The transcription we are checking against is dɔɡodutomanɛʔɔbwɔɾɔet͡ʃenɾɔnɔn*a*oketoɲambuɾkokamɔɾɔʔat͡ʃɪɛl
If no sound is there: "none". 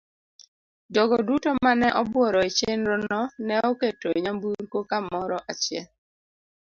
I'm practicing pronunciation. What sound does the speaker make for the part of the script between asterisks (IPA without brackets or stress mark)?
ɛ